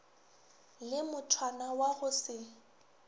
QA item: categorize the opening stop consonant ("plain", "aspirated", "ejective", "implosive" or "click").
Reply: aspirated